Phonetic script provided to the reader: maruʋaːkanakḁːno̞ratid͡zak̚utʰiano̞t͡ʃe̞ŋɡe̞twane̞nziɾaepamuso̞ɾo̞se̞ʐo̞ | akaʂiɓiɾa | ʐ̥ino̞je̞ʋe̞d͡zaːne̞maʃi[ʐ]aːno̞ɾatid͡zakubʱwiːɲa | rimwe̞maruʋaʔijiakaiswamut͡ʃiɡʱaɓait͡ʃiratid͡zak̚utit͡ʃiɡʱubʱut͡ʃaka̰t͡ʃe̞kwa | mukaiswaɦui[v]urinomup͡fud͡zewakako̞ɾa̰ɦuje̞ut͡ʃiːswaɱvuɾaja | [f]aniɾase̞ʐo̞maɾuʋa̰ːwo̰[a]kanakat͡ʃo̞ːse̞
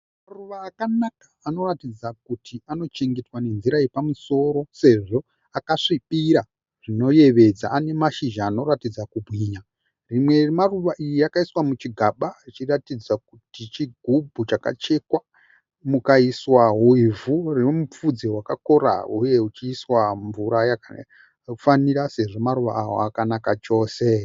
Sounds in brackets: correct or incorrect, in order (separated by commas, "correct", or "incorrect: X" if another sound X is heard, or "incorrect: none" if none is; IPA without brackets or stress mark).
incorrect: ʒ, correct, correct, correct